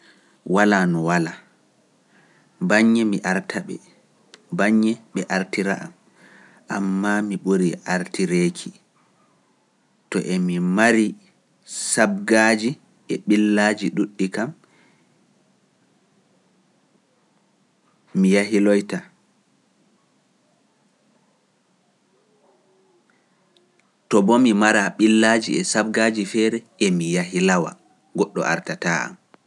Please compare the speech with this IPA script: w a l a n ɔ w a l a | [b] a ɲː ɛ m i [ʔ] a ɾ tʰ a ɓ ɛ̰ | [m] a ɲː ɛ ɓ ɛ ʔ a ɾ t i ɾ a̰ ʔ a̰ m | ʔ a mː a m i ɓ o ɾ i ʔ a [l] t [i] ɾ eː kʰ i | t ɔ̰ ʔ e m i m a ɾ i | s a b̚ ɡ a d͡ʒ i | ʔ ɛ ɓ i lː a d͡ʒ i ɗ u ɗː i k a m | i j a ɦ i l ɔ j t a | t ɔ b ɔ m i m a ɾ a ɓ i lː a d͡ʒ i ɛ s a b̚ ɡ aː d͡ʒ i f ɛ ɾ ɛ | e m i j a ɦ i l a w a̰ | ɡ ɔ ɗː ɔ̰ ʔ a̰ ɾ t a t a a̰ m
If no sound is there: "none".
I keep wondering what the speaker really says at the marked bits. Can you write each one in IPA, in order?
b, ʔ, b, ɾ, i

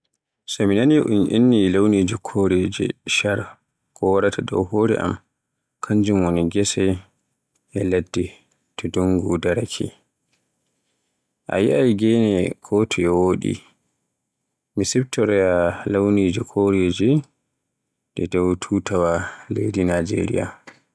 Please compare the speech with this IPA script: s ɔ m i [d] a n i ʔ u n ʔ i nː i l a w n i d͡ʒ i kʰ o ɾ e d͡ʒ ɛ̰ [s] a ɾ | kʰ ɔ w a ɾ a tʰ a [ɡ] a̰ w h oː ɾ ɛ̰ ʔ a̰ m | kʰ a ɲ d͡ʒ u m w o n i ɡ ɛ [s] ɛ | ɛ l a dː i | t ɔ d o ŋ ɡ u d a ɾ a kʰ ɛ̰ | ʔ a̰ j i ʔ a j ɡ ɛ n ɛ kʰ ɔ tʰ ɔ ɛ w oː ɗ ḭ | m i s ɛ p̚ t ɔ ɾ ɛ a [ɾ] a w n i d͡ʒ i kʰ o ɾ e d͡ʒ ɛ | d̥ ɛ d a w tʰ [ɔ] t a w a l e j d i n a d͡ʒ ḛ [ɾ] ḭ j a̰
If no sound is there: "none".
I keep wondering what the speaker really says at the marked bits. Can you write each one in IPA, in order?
n, ʃ, d, s, l, u, ɾ

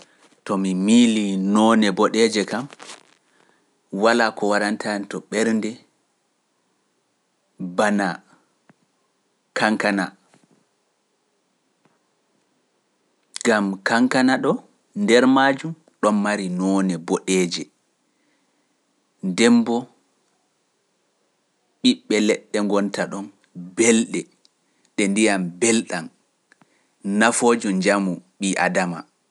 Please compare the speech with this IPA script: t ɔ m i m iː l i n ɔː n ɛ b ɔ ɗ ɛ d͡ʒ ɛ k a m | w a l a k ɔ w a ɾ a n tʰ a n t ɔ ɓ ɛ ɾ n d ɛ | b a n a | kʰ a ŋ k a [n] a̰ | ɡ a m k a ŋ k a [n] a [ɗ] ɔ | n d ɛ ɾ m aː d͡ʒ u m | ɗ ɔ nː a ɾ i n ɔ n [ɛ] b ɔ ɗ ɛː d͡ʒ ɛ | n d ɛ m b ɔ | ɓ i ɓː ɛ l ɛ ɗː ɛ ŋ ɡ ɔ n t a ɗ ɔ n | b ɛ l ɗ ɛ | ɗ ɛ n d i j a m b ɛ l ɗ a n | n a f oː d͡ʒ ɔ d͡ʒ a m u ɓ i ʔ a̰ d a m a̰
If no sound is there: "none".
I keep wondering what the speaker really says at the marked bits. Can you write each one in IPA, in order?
n, n, ɗ, ɛ

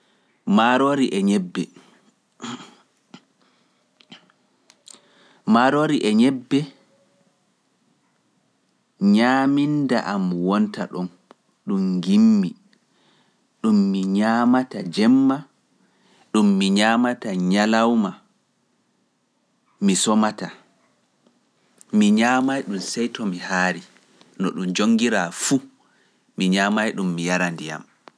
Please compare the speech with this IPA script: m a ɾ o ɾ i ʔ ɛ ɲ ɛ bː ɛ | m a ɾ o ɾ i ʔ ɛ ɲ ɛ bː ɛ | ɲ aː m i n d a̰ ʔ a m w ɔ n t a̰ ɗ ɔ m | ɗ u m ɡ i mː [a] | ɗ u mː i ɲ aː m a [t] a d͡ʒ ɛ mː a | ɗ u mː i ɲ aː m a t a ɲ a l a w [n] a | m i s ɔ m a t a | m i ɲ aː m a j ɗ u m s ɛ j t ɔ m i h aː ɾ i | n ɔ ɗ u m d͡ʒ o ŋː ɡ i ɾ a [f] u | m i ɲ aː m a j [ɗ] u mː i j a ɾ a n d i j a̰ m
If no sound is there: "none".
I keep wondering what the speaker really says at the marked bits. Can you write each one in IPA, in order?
i, t, m, f, ɗ

